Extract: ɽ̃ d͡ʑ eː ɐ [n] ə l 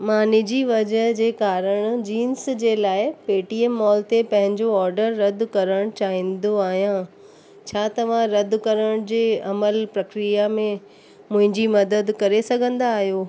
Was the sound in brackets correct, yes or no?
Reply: no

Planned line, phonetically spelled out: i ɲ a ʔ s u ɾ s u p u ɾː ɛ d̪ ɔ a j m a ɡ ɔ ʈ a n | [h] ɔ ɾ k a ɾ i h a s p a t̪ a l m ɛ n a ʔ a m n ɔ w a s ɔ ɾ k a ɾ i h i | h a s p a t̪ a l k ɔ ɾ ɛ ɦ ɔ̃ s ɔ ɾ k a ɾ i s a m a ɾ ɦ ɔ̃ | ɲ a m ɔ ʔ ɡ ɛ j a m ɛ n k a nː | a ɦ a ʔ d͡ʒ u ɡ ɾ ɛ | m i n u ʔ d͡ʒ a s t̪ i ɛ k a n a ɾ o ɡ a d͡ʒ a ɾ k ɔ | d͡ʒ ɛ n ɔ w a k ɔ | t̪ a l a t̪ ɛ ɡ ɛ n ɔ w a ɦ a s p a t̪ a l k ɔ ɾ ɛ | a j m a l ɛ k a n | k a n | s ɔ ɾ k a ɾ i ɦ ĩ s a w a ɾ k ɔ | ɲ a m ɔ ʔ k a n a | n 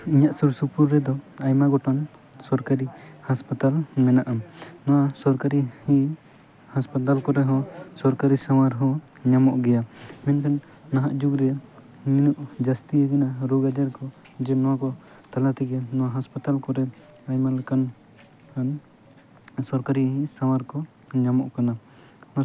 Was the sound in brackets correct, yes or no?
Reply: no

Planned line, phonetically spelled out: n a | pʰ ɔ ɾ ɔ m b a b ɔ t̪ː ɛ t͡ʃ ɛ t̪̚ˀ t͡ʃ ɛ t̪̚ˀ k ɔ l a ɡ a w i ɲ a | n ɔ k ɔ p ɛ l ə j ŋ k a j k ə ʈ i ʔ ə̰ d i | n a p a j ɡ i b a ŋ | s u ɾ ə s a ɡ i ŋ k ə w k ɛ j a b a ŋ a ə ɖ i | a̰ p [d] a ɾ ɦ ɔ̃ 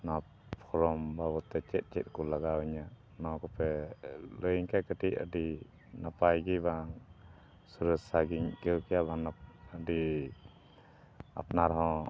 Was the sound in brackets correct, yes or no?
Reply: no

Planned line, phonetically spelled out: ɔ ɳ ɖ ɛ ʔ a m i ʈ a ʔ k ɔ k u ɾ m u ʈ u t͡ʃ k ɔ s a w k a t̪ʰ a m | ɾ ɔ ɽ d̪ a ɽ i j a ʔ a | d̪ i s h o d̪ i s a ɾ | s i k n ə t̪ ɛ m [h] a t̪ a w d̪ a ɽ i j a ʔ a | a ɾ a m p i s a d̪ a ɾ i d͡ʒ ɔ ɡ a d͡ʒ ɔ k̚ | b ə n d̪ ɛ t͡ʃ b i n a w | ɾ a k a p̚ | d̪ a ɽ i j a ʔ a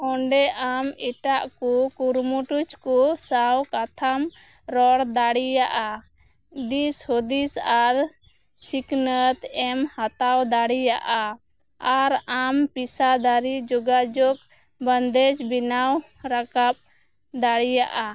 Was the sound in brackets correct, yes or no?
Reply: yes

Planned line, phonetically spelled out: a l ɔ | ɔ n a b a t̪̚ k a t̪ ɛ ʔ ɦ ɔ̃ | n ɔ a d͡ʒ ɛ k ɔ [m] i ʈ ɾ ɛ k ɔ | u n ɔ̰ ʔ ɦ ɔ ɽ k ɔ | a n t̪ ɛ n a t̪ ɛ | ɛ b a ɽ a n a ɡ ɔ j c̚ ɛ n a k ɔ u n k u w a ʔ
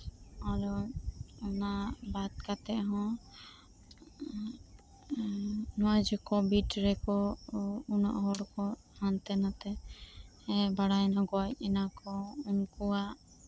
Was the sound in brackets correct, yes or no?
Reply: no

